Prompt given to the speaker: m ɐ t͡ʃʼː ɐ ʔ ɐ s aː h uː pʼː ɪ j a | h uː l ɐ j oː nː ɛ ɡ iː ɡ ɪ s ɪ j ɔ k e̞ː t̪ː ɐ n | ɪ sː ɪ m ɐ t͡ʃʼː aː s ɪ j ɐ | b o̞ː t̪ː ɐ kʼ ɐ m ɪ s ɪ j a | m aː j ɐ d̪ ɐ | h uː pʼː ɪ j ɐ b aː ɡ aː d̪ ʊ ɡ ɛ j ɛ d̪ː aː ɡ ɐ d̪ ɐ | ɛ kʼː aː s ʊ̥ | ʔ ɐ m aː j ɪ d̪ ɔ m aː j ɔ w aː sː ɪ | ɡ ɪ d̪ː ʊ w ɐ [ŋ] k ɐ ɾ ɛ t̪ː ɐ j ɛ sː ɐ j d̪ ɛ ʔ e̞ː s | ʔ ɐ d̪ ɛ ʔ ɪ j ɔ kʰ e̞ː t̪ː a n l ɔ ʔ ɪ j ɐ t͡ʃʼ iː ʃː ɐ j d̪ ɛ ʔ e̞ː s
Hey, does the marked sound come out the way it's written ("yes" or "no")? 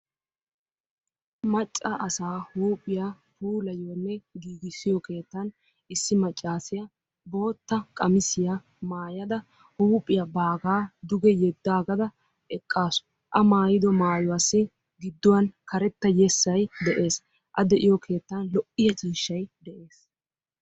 no